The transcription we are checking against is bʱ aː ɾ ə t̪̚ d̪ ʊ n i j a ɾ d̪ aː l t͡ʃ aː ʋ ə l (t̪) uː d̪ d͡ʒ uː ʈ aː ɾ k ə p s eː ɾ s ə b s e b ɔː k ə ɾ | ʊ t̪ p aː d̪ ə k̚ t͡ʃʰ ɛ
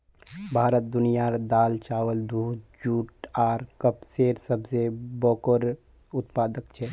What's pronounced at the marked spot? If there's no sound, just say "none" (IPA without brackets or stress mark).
d̪